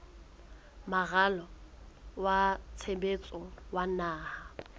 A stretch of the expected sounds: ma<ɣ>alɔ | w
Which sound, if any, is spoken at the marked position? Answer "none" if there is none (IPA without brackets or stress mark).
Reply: ɣ